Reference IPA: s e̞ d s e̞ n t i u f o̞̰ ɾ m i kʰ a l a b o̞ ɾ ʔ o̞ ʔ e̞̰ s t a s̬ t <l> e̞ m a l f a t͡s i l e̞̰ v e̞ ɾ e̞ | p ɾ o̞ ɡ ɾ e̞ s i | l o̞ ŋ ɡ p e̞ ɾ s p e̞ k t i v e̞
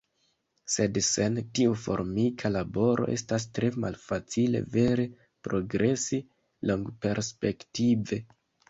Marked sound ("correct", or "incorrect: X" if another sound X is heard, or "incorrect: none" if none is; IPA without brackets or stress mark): incorrect: ɾ